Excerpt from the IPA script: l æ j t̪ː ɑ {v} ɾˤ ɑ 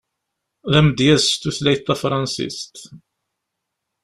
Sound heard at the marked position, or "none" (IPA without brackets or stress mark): f